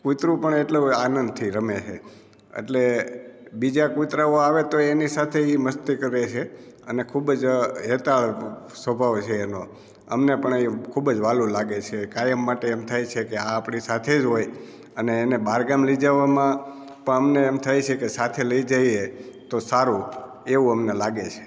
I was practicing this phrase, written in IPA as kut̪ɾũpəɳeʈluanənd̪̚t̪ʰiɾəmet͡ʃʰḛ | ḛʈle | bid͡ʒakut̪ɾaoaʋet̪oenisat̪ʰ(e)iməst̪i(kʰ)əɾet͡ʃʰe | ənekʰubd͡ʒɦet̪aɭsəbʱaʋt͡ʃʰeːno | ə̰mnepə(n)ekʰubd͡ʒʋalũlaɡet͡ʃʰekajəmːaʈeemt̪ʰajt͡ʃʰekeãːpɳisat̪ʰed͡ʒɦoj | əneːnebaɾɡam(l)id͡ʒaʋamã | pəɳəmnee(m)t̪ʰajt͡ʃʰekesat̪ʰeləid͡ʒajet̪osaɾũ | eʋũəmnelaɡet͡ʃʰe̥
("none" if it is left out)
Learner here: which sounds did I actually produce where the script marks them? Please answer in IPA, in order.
e, k, ɳ, l, m

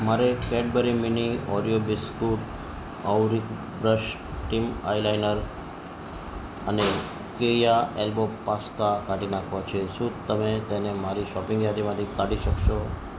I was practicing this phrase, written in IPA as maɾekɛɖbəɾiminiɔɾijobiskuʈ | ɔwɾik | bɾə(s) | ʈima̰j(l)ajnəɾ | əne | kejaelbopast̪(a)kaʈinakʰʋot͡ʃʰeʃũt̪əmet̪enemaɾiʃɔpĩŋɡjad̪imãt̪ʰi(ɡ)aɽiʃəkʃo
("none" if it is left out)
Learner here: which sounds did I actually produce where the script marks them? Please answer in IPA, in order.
ʃ, l, a, k

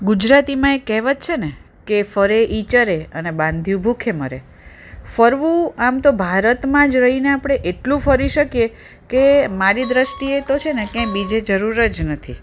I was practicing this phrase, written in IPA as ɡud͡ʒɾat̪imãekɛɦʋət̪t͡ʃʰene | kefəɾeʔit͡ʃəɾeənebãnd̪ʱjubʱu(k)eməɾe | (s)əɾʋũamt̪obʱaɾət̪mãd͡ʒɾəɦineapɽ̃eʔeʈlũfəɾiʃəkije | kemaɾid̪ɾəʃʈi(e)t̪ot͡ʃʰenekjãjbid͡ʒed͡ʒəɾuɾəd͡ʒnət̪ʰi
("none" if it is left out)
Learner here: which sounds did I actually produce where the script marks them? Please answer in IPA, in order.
kʰ, f, e

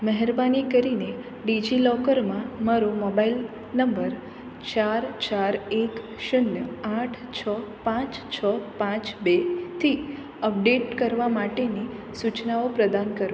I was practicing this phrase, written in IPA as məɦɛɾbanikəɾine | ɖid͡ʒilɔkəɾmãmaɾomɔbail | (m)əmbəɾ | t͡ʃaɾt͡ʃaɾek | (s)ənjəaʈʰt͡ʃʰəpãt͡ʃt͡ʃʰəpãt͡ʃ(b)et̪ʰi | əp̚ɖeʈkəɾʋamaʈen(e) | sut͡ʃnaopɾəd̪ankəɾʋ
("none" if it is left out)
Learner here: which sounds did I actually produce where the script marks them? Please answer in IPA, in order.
n, ʃ, b, i

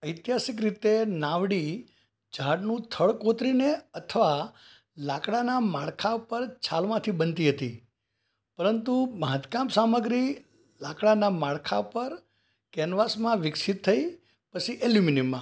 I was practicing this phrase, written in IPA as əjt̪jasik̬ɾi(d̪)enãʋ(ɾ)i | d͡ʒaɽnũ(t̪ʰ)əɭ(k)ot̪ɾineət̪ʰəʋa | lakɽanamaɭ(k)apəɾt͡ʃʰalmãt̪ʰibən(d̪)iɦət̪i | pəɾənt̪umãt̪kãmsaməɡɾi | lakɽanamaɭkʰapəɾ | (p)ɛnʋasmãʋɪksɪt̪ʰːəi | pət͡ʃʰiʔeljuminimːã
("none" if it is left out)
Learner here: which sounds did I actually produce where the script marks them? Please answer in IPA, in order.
t̪, ɽ, t̪ʰ, k, kʰ, t̪, k

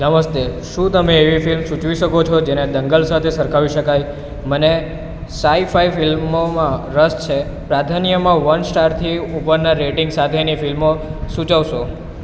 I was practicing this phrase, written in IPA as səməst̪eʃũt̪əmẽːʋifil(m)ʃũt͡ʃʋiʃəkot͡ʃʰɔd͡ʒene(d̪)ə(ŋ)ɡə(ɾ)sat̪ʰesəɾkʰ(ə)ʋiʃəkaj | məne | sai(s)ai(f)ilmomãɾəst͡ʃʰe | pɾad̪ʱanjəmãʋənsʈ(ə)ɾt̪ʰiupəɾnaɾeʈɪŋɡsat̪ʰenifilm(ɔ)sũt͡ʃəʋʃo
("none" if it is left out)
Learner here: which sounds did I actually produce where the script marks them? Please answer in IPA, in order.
m, d̪, ŋ, l, a, f, f, a, o

